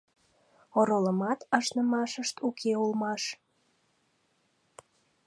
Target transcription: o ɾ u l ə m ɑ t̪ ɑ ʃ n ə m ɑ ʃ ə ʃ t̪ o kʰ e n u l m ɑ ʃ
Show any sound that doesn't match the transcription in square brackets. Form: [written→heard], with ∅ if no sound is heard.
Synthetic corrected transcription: o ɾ [u→o] l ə m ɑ t̪ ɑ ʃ n ə m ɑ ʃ ə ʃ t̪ [o→u] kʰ e [n→∅] u l m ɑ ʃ

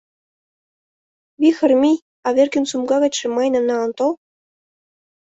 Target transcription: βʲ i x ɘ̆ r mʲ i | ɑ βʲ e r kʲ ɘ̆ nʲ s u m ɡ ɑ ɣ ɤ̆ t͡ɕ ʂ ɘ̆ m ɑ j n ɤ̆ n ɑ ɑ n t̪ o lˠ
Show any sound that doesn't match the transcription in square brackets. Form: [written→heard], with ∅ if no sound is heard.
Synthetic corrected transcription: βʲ i x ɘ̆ r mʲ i | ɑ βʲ e r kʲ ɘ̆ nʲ s u m ɡ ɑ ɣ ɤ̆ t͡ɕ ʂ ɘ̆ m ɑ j n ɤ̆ n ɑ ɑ n t̪ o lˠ

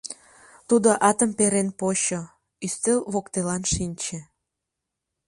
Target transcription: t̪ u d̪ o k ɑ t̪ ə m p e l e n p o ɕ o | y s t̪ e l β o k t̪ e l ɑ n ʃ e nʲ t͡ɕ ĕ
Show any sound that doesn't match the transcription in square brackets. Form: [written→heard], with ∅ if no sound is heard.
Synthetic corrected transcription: t̪ u d̪ o [k→ʔ] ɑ t̪ ə m p e [l→ɾ] e n p o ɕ o | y s t̪ e l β o k t̪ e l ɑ n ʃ [e→i] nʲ t͡ɕ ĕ

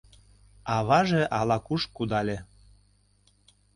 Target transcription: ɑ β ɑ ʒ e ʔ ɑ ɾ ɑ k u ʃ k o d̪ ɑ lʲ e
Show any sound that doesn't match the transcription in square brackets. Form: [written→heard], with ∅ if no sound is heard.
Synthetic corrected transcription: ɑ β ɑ ʒ e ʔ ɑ [ɾ→l] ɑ k u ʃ k [o→u] d̪ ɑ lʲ e

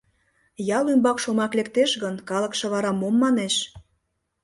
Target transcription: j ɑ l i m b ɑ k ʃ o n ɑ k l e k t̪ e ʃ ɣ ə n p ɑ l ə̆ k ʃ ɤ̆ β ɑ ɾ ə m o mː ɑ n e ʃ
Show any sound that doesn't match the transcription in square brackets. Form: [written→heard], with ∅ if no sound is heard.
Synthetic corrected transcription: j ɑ l [i→y] m b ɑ k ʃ o [n→m] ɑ k l e k t̪ e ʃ ɣ ə n [p→k] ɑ l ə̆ k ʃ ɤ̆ β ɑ ɾ [ə→ɑ] m o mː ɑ n e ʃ

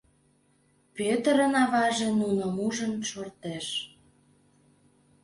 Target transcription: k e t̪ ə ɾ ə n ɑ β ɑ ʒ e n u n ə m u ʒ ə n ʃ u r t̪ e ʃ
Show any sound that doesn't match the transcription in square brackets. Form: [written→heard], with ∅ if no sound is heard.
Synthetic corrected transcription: [k→p] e t̪ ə ɾ ə n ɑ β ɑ ʒ e n u n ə m u ʒ ə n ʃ [u→o] r t̪ e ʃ

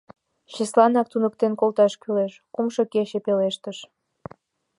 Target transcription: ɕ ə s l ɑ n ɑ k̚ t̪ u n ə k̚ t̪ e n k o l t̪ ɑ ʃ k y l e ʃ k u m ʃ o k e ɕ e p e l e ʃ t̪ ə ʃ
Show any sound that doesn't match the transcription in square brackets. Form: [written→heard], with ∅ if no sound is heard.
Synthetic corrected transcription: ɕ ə s l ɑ n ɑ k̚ t̪ u n ə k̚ t̪ e n k o l t̪ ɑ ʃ k y l e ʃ k u m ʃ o k e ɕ e p e l e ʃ t̪ ə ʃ

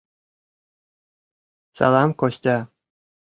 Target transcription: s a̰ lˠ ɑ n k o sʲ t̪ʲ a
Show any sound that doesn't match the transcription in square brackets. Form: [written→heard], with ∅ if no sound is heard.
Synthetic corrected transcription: s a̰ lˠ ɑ [n→m] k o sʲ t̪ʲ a

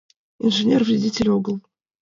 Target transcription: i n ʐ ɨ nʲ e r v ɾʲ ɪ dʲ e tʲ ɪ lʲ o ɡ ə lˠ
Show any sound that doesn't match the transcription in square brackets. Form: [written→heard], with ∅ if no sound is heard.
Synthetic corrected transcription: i n ʐ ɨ nʲ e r v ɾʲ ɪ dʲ [e→i] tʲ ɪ lʲ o ɡ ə lˠ

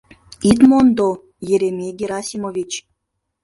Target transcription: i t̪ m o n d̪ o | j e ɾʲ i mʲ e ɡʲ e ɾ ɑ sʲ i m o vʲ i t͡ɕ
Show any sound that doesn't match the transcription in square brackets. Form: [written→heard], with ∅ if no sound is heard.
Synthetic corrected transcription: i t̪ m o n d̪ o | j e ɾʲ [i→e] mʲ e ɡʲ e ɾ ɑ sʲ i m o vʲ i t͡ɕ

